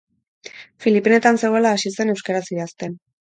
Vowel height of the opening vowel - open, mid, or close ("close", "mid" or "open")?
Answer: close